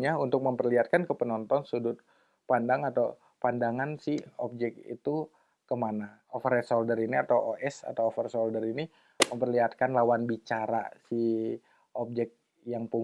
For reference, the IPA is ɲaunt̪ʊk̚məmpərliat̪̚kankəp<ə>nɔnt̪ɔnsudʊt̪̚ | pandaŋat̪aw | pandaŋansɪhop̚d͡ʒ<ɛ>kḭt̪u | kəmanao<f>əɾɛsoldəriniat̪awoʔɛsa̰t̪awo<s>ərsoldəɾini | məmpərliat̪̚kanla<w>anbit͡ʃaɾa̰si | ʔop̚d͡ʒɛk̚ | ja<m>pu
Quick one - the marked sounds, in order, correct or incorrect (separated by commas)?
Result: correct, correct, correct, incorrect, correct, incorrect